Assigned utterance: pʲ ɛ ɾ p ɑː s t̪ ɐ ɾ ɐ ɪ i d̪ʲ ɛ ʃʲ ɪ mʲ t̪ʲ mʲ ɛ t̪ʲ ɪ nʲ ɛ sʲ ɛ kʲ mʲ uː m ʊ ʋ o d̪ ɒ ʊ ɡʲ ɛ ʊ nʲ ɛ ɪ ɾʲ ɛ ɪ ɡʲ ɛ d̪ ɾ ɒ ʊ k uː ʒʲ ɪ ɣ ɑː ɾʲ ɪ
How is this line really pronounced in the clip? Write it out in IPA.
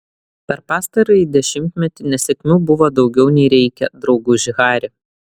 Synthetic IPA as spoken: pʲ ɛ ɾ p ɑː s t̪ ɐ ɾ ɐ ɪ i d̪ʲ ɛ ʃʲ ɪ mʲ t̪ʲ mʲ ɛ t̪ʲ ɪ nʲ ɛ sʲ ɛ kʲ mʲ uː b ʊ ʋ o d̪ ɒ ʊ ɡʲ ɛ ʊ nʲ ɛ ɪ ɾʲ ɛ ɪ kʲ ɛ d̪ ɾ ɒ ʊ ɡ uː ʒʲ ɪ ɣ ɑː ɾʲ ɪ

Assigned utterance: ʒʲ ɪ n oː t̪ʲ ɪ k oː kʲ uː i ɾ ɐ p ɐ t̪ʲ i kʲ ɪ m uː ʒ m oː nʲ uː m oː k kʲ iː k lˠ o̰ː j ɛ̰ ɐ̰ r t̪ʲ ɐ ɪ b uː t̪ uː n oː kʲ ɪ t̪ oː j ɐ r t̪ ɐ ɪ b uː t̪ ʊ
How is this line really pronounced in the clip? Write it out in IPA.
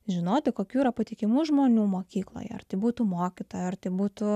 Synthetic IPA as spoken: ʒʲ ɪ n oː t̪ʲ ɪ k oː kʲ uː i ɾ ɐ p ɐ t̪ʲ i kʲ ɪ m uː ʒ m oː nʲ uː m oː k kʲ iː k lˠ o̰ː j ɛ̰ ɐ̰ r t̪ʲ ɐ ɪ b uː t̪ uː m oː kʲ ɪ t̪ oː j ɐ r t̪ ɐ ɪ b uː t̪ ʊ

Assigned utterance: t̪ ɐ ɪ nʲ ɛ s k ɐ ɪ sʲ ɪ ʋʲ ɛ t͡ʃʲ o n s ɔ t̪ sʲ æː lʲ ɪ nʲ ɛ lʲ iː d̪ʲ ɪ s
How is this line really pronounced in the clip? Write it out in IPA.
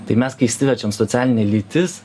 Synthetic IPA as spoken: t̪ ɐ ɪ mʲ ɛ s k ɐ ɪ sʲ ɪ ʋʲ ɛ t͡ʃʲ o m s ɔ t̪ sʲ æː lʲ ɪ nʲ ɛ lʲ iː t̪ʲ ɪ s

